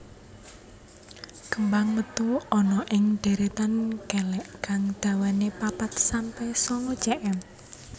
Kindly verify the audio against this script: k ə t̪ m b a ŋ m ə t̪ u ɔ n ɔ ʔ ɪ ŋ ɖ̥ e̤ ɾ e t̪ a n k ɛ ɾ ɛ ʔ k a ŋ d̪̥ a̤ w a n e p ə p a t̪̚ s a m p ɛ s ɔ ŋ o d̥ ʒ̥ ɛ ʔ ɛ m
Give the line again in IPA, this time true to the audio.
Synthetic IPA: k ə m b a ŋ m ə t̪ u ɔ n ɔ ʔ ɪ ŋ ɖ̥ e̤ ɾ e t̪ a n k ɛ l ɛ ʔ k a ŋ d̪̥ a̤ w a n e p a p a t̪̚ s a m p ɛ s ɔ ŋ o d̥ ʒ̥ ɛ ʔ ɛ m